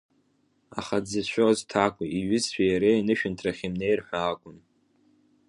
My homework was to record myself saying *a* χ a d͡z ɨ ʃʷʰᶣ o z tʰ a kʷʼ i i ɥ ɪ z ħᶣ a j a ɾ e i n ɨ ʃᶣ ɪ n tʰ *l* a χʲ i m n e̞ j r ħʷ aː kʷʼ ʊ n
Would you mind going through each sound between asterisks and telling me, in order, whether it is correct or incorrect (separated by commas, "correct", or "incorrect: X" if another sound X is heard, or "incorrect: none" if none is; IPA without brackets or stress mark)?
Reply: correct, incorrect: r